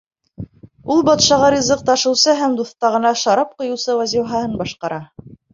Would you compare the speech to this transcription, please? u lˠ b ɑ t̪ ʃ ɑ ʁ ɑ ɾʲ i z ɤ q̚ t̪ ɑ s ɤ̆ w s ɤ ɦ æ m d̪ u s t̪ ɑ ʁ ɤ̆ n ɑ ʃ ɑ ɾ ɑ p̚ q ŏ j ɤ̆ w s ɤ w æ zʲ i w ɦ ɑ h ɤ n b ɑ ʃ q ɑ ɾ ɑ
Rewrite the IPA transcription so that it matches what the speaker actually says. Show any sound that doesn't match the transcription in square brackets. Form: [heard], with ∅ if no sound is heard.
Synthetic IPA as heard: u lˠ b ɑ t̪ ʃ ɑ ʁ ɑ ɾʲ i z ɤ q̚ t̪ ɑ [ʃ] ɤ̆ w s ɤ ɦ æ m d̪ u [θ] t̪ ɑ ʁ ɤ̆ n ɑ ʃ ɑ ɾ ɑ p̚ q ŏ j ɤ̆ w s ɤ w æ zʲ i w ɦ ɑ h ɤ n b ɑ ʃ q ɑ ɾ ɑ

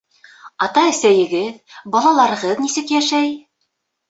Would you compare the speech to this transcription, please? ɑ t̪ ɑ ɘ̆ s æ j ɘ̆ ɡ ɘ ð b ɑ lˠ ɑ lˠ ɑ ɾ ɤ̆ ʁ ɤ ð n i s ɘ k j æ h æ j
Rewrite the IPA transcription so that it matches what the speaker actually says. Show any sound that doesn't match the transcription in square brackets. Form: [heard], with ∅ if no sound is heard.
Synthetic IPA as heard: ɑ t̪ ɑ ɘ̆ s æ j ɘ̆ ɡ ɘ ð b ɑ lˠ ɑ lˠ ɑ ɾ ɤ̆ ʁ ɤ ð n i s ɘ k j æ [ʃ] æ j

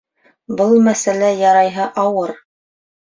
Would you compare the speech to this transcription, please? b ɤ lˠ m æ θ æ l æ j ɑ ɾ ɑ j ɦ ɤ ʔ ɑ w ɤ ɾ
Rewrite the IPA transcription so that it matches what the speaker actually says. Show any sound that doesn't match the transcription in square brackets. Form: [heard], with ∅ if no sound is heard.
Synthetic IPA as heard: b ɤ lˠ m æ [s] æ l æ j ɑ ɾ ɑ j ɦ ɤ ʔ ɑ w ɤ ɾ

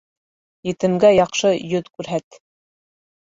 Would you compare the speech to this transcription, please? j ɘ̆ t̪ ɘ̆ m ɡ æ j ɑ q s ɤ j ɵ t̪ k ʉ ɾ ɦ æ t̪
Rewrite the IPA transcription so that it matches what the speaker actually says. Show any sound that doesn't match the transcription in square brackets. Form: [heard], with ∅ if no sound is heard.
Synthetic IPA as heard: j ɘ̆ t̪ ɘ̆ m ɡ æ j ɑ q [ʃ] ɤ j ɵ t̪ k ʉ ɾ ɦ æ t̪

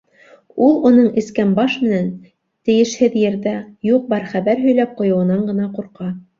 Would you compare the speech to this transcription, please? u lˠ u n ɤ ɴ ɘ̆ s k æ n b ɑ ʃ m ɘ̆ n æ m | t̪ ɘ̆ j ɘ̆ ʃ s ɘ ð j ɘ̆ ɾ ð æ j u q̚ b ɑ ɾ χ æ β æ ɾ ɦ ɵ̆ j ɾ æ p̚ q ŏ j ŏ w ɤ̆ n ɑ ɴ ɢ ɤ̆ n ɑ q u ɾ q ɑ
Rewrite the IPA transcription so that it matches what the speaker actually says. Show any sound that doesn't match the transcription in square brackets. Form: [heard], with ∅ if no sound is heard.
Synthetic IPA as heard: u lˠ u n ɤ ɴ ɘ̆ s k æ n b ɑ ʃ m ɘ̆ n æ [n] | t̪ ɘ̆ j ɘ̆ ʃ [h] ɘ ð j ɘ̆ ɾ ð æ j u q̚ b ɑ ɾ χ æ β æ ɾ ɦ ɵ̆ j [l] æ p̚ q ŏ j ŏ w ɤ̆ n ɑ ɴ ɢ ɤ̆ n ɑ q u ɾ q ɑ

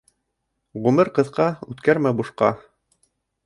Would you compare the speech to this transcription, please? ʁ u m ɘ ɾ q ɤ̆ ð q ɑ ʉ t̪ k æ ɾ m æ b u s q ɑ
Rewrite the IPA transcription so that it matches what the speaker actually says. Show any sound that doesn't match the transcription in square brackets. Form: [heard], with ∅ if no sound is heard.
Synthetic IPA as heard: ʁ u m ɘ ɾ q ɤ̆ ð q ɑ ʉ t̪ k æ ɾ m æ b u [ʃ] q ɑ

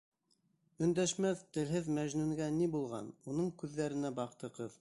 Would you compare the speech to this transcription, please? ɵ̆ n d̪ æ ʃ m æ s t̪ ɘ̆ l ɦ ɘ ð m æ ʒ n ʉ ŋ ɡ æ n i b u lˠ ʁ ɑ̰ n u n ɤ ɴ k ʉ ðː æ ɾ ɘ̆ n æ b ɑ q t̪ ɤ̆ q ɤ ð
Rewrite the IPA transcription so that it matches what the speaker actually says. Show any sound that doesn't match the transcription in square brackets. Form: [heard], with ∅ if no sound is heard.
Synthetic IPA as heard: ɵ̆ n d̪ æ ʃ m æ [θ] t̪ ɘ̆ l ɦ ɘ ð m æ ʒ n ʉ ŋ ɡ æ n i b u lˠ ʁ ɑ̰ n u n ɤ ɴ k ʉ ðː æ ɾ ɘ̆ n æ b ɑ q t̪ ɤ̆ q ɤ ð

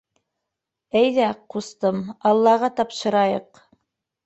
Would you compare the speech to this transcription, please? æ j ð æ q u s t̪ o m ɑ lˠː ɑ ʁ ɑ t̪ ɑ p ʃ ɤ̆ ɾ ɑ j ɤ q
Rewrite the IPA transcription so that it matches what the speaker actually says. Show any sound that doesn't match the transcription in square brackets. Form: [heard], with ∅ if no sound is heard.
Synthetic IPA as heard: æ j ð æ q u s t̪ [ɤ] m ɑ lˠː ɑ ʁ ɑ t̪ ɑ p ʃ ɤ̆ ɾ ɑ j ɤ q

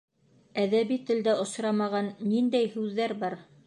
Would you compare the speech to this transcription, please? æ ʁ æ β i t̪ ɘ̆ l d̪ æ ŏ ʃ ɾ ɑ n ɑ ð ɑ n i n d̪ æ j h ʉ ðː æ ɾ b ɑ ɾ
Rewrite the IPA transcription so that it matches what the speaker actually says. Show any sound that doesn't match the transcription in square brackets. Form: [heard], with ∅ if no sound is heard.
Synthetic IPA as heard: æ [ð] æ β i t̪ ɘ̆ l d̪ æ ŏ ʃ ɾ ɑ [m] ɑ [ʁ] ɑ [nː] i n d̪ æ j h ʉ ðː æ ɾ b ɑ ɾ

